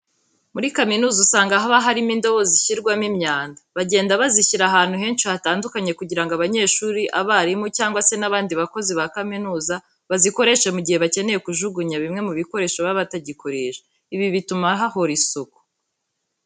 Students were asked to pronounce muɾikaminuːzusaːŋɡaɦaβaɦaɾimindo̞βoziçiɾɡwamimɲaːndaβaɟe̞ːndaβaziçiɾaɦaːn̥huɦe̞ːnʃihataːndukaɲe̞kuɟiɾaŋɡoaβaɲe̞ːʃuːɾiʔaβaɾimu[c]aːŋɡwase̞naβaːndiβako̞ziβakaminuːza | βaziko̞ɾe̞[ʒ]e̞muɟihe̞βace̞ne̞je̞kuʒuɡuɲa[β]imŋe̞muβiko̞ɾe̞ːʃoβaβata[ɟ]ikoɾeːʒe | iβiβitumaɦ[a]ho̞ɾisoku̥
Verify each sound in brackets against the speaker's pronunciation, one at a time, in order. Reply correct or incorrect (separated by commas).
correct, incorrect, correct, correct, correct